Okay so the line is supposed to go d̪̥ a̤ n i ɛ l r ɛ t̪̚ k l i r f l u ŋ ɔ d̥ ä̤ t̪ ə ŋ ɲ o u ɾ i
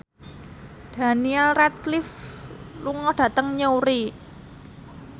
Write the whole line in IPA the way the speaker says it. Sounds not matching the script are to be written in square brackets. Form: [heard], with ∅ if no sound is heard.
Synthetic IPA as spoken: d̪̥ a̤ n i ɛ l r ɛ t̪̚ k l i [∅] f l u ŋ ɔ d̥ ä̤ t̪ ə ŋ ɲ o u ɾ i